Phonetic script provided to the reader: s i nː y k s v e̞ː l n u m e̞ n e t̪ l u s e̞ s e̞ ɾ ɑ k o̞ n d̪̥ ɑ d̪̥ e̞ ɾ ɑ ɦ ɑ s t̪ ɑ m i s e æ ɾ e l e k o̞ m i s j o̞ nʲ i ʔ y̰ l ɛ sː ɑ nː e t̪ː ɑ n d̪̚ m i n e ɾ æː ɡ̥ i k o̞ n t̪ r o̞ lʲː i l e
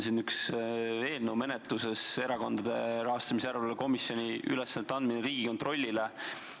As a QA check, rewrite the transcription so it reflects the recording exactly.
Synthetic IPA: s i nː y k s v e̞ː l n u m e̞ n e t̪ l u s e̞ s e̞ ɾ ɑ k o̞ n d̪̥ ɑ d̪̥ e̞ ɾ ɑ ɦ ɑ s t̪ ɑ m i s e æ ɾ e l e k o̞ m i s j o̞ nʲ i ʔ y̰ l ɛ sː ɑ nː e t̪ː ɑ n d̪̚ m i n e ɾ iː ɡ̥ i k o̞ n t̪ r o̞ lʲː i l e